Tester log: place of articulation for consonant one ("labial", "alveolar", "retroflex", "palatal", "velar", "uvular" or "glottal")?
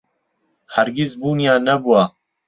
glottal